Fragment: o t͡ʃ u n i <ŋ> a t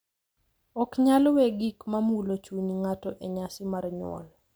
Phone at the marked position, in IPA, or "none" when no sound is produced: ŋ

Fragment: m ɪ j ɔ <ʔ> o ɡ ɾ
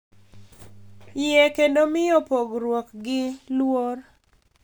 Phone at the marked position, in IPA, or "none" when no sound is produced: p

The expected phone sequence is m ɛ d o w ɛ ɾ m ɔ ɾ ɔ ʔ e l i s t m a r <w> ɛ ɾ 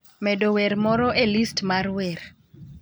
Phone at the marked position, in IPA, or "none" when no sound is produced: w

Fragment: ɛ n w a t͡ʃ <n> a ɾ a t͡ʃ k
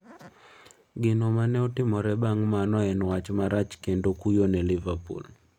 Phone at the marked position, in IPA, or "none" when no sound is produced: m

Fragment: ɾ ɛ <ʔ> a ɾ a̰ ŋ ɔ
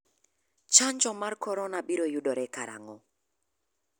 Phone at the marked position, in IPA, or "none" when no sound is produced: k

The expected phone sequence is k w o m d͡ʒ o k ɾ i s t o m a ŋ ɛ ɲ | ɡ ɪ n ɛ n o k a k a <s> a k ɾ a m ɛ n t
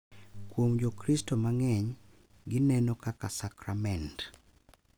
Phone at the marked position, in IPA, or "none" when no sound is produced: s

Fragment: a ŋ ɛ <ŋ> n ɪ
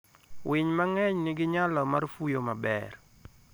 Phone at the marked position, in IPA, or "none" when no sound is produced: ɲ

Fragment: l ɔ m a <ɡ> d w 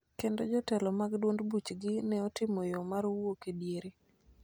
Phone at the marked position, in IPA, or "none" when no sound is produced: ɡ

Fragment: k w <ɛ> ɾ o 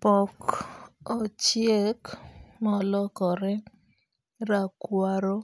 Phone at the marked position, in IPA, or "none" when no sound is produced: a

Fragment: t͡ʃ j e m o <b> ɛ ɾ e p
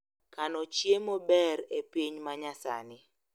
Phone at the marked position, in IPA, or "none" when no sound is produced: b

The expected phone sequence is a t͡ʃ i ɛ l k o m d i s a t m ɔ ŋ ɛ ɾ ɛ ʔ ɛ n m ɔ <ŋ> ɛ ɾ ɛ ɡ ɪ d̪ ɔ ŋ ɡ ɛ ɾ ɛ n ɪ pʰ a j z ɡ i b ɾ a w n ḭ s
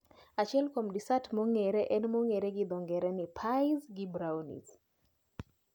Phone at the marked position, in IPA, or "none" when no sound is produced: ŋ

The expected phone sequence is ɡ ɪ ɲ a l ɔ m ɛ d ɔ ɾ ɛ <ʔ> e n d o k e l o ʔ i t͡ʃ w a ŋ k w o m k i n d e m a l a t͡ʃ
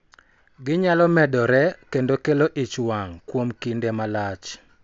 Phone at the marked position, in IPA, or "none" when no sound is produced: k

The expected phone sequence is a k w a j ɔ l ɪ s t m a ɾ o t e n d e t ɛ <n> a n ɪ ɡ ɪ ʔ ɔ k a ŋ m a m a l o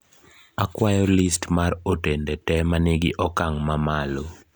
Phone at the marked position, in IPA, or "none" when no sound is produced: m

